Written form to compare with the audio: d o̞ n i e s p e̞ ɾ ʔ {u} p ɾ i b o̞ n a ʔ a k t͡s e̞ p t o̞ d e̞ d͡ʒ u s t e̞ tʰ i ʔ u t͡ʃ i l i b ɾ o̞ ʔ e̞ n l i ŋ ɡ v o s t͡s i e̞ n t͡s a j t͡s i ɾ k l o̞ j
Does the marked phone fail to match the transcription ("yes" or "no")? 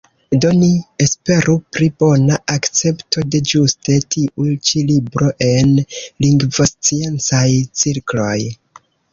no